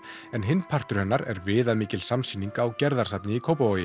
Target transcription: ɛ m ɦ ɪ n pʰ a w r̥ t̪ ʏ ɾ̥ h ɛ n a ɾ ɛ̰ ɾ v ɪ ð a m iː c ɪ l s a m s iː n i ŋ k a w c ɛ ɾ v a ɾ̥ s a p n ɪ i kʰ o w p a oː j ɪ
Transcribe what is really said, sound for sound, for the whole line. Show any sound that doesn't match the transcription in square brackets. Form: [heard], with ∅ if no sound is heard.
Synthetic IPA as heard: ɛ [n] ɦ ɪ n pʰ a [∅] r̥ t̪ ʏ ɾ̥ h ɛ [nː] a ɾ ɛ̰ ɾ v [ɪː] ð a m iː c ɪ l s a m s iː n i ŋ k a w c ɛ ɾ [ð] a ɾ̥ s a p n ɪ i kʰ o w p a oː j ɪ